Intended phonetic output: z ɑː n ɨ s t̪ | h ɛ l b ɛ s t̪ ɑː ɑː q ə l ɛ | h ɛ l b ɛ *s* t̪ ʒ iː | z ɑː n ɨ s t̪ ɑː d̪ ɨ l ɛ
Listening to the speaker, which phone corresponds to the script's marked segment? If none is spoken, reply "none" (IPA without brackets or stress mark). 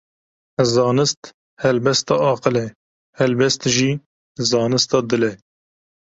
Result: s